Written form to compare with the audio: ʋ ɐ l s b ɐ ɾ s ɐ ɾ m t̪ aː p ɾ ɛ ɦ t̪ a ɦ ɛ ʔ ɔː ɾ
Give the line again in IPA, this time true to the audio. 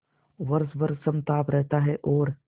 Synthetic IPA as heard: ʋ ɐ ɾ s b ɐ ɾ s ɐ m t̪ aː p ɾ ɛ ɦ t̪ a ɦ ɛ ʔ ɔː ɾ